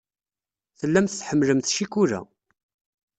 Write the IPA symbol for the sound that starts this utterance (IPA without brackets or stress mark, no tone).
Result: θ